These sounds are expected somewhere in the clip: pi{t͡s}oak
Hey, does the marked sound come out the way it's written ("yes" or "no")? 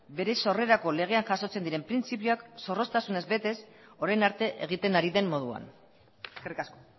no